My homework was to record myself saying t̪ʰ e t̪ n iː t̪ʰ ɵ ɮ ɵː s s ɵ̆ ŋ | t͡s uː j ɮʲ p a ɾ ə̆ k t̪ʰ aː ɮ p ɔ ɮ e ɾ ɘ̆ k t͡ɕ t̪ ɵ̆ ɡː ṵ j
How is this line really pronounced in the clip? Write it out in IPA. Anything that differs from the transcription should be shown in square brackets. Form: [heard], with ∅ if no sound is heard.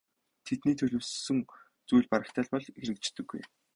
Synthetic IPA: t̪ʰ e t̪ n iː t̪ʰ ɵ ɮ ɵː s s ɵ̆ ŋ | t͡s [u] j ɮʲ p a ɾ ə̆ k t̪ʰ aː ɮ p ɔ ɮ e ɾ ɘ̆ k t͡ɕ t̪ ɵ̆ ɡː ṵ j